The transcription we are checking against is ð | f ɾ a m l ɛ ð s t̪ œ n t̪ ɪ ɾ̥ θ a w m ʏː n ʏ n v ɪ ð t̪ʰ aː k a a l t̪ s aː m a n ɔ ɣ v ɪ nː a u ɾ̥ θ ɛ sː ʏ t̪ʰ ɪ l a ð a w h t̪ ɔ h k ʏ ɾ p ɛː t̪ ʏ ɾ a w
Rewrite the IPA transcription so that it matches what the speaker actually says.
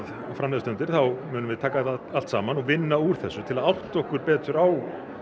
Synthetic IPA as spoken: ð | f ɾ a m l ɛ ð s t̪ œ n t̪ ɪ ɾ̥ θ a w m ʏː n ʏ m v ɪ ð t̪ʰ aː k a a l t̪ s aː m a n ɔ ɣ v ɪ nː a u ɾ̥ θ ɛ sː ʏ t̪ʰ ɪ l a ð a w h t̪ ɔ h k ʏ ɾ p ɛː t̪ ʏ ɾ a w